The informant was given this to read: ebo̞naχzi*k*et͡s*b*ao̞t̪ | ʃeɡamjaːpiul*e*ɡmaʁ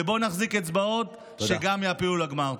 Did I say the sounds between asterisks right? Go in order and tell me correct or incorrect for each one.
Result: correct, correct, incorrect: a

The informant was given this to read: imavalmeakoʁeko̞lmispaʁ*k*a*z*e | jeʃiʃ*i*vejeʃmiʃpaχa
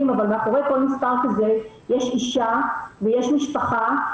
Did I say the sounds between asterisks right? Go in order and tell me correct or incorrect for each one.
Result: correct, correct, incorrect: a

